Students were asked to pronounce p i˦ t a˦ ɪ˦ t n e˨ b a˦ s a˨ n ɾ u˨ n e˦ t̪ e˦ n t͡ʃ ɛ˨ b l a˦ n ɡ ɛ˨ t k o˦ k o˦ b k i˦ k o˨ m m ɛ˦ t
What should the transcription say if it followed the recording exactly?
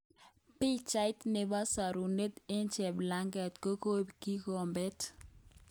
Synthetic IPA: p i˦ t͡ʃ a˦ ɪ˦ t n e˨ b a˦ s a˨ ɾ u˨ n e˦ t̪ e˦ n t͡ʃ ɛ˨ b l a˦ ŋ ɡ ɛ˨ t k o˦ k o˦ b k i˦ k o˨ m b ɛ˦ t